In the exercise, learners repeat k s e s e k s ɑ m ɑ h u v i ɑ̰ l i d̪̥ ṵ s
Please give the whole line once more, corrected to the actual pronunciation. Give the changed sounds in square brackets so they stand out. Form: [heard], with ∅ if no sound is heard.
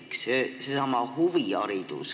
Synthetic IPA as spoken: k s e s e [∅] s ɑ m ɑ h u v i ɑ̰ [ɾ] i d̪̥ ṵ s